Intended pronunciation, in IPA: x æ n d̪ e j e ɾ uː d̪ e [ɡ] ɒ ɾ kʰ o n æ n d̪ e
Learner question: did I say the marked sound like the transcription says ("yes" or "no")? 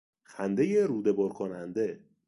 no